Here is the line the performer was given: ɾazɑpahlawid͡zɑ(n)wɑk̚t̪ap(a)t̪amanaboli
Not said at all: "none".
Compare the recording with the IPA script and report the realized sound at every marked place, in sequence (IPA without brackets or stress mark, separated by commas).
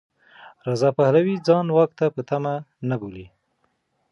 n, ə